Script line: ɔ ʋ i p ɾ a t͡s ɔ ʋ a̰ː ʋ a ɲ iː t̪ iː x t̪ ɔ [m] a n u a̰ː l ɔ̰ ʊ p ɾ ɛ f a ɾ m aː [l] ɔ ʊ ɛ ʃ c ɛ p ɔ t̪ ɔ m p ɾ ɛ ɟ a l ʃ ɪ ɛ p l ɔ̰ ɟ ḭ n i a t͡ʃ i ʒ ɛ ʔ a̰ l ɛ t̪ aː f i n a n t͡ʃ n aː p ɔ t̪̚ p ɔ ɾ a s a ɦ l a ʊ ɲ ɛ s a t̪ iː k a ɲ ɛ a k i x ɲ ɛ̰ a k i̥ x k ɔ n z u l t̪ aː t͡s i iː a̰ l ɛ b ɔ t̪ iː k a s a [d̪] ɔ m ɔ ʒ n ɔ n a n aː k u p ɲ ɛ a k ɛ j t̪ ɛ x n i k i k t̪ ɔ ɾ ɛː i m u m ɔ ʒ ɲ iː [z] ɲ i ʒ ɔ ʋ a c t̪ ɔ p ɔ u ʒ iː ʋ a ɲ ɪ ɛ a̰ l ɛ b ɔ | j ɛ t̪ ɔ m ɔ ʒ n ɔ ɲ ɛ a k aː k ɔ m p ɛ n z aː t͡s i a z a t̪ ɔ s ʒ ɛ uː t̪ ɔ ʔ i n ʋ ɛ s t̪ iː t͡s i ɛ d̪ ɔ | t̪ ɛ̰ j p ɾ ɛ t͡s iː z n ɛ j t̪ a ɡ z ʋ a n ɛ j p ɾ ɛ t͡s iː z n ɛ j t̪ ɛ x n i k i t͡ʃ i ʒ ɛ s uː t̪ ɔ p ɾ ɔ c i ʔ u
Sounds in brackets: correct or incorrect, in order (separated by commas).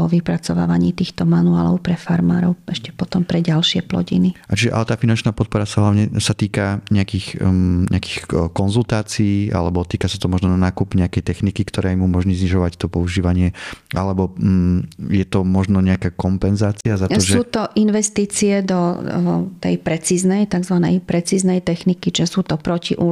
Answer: correct, incorrect, incorrect, correct